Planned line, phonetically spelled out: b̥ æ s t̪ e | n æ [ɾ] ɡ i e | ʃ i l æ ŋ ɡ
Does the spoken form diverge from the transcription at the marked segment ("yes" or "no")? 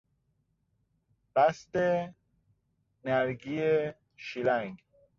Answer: no